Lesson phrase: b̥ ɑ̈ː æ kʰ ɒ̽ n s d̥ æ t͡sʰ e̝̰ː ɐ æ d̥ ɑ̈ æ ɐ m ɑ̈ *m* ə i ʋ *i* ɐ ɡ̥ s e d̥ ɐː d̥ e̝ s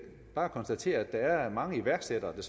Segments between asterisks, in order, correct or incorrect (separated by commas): incorrect, incorrect